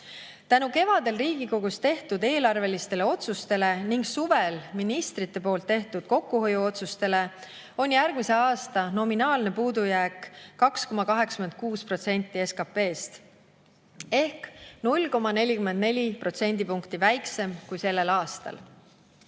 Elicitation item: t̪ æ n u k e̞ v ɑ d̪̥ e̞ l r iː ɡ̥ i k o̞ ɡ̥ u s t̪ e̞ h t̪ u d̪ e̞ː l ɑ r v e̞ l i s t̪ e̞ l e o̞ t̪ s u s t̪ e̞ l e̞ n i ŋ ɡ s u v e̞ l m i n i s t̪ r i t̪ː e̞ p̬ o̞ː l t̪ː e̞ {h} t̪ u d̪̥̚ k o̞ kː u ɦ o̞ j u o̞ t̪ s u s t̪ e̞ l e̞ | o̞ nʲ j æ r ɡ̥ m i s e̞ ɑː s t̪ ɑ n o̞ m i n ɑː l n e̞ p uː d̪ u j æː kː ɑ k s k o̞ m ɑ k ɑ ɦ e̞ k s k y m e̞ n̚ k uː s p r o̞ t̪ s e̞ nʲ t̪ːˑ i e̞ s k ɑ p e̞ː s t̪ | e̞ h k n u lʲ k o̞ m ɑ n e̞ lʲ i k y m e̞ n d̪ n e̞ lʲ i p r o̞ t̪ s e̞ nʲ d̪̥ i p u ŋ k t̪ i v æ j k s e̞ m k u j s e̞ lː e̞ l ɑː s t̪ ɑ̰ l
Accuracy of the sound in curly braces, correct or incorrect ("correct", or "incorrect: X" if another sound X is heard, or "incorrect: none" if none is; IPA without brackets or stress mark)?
correct